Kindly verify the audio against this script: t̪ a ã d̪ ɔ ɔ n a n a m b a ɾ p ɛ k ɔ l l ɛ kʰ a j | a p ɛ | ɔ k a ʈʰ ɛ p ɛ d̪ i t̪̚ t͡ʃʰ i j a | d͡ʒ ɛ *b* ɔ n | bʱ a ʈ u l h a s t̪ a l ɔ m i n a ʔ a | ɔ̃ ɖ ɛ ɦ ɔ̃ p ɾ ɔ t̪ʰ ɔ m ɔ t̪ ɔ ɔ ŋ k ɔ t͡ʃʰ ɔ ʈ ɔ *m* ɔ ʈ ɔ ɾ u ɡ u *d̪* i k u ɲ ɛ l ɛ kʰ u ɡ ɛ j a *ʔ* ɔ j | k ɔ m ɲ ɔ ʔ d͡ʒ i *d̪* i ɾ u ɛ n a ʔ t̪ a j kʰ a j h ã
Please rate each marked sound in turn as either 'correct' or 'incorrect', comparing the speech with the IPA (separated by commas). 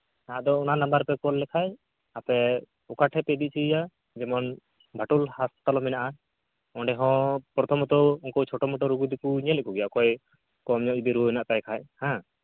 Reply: incorrect, correct, correct, incorrect, correct